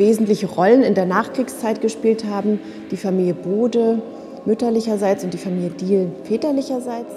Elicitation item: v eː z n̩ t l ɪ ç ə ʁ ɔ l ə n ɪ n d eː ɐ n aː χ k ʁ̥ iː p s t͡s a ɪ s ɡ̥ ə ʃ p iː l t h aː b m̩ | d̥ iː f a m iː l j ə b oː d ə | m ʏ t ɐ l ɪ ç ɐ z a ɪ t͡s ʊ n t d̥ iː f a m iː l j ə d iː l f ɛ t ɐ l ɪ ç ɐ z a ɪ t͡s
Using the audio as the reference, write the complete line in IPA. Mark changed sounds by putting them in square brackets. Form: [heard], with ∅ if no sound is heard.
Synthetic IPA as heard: v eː z n̩ t l ɪ ç ə ʁ ɔ l ə n ɪ n d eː ɐ n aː χ k ʁ̥ iː [k] s t͡s a ɪ [t] ɡ̥ ə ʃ p iː l t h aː b m̩ | d̥ iː f a m iː l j ə b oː d ə | m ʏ t ɐ l ɪ ç ɐ z a ɪ t͡s ʊ n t d̥ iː f a m iː l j ə d iː l f [ɛː] t ɐ l ɪ ç ɐ z a ɪ t͡s

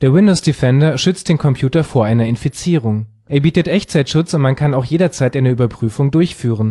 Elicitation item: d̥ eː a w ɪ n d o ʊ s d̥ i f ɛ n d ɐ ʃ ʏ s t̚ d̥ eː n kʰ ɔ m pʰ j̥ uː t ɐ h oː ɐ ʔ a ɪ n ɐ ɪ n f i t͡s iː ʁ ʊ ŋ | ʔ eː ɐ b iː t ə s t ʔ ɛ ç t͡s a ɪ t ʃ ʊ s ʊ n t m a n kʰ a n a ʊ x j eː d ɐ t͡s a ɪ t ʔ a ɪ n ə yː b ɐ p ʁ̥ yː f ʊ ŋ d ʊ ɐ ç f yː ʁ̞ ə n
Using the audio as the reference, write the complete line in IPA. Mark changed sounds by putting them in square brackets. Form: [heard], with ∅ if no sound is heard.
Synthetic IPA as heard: d̥ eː [ɐ] w ɪ n d o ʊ s d̥ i f ɛ n d ɐ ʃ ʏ [t͡s] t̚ d̥ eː n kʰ ɔ m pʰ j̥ uː t ɐ [f] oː ɐ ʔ a ɪ n ɐ ɪ n f i t͡s iː ʁ ʊ ŋ | ʔ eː ɐ b iː t ə [∅] t ʔ ɛ ç t͡s a ɪ t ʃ ʊ [t͡s] ʊ n t m a n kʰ a n a ʊ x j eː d ɐ t͡s a ɪ t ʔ a ɪ n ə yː b ɐ p ʁ̥ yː f ʊ ŋ d ʊ ɐ ç f yː ʁ̞ ə n

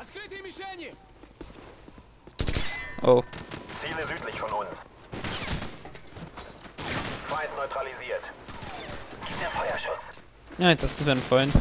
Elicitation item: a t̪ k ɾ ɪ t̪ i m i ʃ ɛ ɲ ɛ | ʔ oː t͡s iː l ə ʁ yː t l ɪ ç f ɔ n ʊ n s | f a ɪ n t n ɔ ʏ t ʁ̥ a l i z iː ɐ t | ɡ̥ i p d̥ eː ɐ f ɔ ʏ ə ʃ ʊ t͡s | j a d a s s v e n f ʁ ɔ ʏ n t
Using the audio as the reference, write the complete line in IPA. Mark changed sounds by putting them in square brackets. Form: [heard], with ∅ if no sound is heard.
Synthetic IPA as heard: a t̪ k ɾ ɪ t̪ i m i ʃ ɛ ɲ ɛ | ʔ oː t͡s iː l ə [z] yː t l ɪ ç f ɔ n ʊ n s | f a ɪ n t n ɔ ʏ t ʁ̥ a l i z iː ɐ t | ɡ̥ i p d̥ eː ɐ f ɔ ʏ [ɐ] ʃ ʊ t͡s | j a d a s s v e n f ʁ ɔ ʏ n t

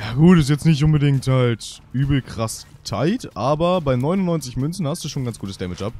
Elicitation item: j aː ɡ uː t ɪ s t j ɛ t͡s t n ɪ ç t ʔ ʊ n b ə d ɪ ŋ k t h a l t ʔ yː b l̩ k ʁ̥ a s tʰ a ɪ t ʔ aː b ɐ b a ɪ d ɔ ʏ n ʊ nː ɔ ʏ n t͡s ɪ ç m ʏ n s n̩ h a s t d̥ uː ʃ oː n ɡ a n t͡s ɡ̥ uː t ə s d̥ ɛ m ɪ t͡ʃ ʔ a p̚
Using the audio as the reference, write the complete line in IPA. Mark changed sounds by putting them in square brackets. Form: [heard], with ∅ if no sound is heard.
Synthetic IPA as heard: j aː ɡ uː t ɪ s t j ɛ t͡s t n ɪ ç t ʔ ʊ n b ə d ɪ ŋ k t h a l t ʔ yː b l̩ k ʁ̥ a s tʰ a ɪ t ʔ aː b ɐ b a ɪ [n] ɔ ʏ n ʊ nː ɔ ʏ n t͡s ɪ ç m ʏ n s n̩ h a s t d̥ uː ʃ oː n ɡ a n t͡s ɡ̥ uː t ə s d̥ ɛ m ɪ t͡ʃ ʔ a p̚

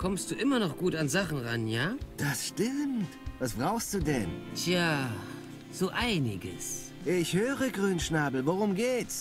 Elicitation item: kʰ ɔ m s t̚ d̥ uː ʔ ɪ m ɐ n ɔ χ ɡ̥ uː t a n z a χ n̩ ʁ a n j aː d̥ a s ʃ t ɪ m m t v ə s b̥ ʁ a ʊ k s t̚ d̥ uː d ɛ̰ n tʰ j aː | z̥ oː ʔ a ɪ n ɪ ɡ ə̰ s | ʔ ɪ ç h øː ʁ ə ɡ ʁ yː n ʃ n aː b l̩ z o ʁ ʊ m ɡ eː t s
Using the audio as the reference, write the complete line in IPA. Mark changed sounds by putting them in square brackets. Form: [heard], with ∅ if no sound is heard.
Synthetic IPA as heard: kʰ ɔ m s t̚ d̥ uː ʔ ɪ m ɐ n ɔ χ ɡ̥ uː t a n z a χ n̩ ʁ a n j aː d̥ a s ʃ t ɪ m m t v [a] s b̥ ʁ a ʊ [x] s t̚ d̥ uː d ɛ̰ n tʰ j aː | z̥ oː ʔ a ɪ n ɪ ɡ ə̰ s | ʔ ɪ ç h øː ʁ ə ɡ ʁ yː n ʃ n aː b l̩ [v] o ʁ ʊ m ɡ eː t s

